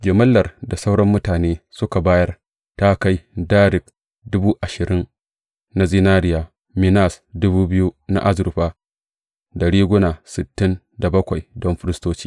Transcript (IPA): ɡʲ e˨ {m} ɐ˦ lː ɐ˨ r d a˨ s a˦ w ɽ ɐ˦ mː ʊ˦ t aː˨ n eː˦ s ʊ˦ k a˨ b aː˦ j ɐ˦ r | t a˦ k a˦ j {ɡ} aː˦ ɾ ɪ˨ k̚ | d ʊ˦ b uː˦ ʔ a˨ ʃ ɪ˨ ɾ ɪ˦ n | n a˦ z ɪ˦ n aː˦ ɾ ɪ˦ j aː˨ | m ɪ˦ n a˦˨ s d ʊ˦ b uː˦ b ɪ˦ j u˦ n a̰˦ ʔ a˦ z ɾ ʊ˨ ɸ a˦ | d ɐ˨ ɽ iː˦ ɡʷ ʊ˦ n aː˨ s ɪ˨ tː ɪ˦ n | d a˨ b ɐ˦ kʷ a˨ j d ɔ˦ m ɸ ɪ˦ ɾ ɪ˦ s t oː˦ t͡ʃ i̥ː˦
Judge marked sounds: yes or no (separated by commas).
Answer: yes, no